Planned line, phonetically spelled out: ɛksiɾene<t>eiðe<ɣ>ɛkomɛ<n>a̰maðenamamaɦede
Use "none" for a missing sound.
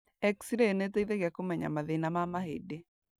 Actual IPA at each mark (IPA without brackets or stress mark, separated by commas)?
t, ɣ, ɲ